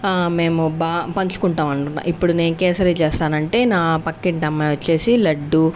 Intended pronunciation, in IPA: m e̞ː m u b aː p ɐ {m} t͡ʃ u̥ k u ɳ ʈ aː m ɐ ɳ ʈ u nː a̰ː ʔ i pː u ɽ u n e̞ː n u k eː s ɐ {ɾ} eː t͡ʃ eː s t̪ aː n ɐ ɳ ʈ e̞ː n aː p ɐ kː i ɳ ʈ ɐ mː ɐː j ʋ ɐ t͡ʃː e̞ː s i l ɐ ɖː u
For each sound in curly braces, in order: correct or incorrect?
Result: incorrect, correct

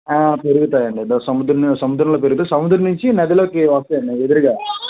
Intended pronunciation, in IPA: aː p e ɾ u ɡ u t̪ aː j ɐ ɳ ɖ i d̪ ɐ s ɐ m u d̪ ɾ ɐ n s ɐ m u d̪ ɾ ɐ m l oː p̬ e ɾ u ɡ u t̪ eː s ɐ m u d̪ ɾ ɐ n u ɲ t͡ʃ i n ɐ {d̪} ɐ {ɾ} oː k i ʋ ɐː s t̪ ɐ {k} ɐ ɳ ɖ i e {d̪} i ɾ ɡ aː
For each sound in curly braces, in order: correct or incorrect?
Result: correct, incorrect, incorrect, correct

